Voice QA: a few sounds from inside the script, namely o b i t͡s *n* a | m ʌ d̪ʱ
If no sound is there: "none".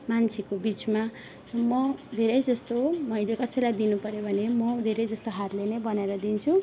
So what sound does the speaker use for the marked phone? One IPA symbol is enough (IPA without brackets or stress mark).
m